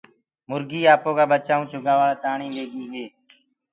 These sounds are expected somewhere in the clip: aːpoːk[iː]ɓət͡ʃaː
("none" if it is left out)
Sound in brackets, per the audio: aː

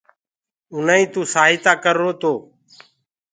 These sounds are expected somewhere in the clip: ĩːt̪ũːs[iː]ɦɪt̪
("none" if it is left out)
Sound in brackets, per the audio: aː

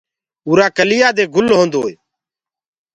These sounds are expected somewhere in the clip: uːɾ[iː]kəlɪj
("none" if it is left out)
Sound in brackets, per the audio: aː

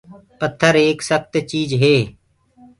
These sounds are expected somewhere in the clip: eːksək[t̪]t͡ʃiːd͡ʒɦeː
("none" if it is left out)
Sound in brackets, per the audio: t̪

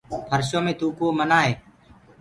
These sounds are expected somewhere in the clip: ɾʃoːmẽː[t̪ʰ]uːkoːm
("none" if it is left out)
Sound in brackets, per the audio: t̪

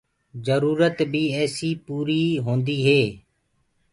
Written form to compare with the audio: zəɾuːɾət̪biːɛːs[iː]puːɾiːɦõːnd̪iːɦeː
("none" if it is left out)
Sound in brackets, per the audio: iː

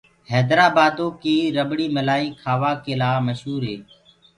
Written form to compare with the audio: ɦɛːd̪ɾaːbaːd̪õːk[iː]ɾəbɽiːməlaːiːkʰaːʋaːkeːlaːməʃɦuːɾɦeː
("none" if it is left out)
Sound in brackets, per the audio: iː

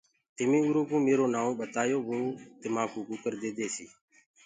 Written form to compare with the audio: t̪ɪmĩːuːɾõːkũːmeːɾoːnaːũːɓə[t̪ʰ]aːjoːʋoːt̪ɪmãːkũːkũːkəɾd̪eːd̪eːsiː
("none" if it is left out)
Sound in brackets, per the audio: t̪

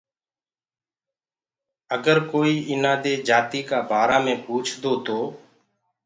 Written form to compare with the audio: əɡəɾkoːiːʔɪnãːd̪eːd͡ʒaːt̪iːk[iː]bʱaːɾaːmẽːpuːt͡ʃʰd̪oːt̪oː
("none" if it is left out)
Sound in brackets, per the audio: aː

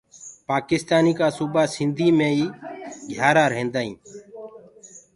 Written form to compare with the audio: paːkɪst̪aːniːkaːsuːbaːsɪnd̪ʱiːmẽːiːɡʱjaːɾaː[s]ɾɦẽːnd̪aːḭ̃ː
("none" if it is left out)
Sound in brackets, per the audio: none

